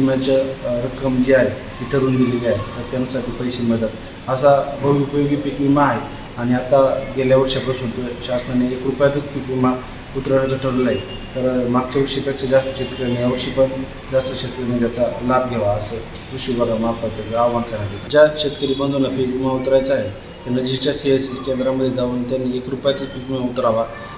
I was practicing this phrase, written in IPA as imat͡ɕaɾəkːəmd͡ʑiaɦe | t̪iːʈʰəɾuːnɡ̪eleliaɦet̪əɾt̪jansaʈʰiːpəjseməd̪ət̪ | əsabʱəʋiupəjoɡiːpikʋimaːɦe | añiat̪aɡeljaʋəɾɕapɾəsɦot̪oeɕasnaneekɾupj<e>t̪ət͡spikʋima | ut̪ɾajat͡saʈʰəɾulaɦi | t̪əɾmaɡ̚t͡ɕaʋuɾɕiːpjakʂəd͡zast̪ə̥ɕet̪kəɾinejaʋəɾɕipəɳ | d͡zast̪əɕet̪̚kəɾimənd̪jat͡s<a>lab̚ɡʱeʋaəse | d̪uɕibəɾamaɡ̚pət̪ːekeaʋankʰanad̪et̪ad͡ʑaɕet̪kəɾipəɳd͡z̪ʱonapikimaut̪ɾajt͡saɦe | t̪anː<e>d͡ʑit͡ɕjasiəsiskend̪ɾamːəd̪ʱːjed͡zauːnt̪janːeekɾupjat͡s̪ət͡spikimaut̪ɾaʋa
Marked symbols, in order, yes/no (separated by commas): no, yes, no